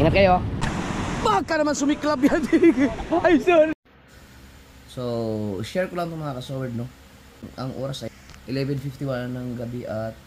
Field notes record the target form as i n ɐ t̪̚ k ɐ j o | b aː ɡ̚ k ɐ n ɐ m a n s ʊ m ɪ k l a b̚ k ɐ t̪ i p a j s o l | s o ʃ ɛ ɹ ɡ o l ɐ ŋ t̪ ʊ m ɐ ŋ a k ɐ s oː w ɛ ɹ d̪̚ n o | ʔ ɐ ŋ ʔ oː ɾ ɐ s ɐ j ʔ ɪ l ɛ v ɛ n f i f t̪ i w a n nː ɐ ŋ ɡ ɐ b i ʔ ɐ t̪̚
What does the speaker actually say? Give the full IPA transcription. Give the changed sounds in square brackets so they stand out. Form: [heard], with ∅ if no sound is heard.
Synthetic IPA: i n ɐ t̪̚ k ɐ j o | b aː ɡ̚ k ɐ n ɐ m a n s ʊ m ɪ k l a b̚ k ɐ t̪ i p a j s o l | s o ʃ ɛ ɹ [k] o l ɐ ŋ t̪ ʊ m ɐ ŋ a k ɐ s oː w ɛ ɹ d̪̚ n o | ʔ ɐ ŋ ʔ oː ɾ ɐ s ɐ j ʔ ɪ l ɛ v ɛ n f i f t̪ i w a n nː ɐ ŋ ɡ ɐ b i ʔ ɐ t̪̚